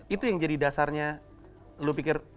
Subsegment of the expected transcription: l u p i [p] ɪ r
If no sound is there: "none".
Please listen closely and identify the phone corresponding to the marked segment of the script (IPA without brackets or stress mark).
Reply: k